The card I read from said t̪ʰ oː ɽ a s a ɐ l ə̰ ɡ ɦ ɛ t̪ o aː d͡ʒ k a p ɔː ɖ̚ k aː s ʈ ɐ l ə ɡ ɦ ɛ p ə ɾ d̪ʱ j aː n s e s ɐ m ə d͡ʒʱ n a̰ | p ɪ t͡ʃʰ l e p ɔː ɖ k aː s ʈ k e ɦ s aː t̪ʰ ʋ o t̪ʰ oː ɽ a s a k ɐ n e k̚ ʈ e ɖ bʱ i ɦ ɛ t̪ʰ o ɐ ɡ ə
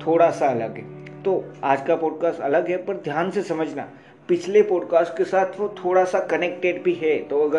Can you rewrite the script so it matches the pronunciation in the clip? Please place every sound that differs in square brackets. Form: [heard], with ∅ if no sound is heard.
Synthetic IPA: t̪ʰ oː ɽ a s a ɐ l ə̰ ɡ ɦ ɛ t̪ o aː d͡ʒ k a p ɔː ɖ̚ k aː s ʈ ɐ l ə ɡ ɦ ɛ p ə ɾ d̪ʱ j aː n s e s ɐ m ə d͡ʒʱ n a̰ | p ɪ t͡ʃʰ l e p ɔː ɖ k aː s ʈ k e [∅] s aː t̪ʰ ʋ o t̪ʰ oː ɽ a s a k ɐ n e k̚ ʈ e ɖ bʱ i ɦ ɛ [t̪] o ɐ ɡ ə